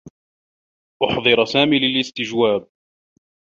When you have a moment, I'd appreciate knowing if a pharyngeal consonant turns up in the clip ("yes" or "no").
yes